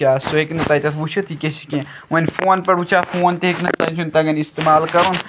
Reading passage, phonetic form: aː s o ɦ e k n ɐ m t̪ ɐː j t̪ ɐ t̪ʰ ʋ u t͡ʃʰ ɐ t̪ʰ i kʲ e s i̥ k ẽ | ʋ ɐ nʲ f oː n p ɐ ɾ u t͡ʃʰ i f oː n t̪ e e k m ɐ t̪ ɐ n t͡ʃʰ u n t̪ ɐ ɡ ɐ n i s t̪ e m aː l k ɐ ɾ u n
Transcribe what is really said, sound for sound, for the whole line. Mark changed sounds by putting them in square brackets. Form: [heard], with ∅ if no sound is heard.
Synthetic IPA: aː s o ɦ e k n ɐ [∅] t̪ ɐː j t̪ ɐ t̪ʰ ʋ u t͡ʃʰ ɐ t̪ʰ i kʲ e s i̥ k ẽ | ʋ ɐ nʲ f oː n p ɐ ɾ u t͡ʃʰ [a] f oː n t̪ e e k [n] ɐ t̪ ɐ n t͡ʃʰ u n t̪ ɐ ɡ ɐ n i s t̪ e m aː l k ɐ ɾ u n